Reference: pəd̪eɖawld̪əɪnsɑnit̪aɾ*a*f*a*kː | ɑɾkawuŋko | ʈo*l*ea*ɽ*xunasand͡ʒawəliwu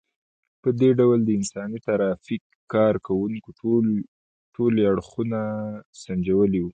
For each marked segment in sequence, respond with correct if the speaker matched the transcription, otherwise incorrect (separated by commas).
incorrect, incorrect, correct, correct